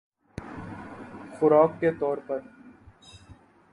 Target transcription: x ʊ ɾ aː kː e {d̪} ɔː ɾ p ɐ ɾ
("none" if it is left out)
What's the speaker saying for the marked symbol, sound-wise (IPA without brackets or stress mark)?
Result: t̪